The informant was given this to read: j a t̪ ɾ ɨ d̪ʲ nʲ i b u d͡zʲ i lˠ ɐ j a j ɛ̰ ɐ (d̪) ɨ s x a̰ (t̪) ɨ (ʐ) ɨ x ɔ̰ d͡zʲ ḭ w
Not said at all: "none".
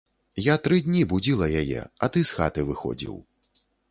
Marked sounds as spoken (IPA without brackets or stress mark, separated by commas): t̪, t̪, v